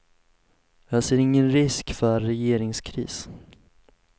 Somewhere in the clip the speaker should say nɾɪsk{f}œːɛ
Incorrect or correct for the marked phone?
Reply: correct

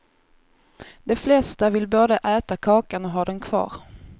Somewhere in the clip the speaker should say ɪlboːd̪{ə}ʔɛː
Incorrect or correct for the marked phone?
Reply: correct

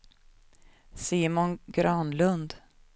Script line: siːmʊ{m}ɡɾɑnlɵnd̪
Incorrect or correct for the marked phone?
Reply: incorrect: n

